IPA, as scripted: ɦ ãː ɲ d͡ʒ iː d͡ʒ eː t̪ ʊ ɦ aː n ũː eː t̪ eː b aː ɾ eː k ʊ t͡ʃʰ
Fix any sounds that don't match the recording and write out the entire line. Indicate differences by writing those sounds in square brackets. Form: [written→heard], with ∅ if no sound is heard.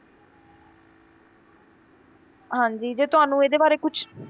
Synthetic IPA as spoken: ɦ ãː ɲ d͡ʒ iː d͡ʒ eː t̪ ʊ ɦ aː n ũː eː [t̪→d̪] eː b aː ɾ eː k ʊ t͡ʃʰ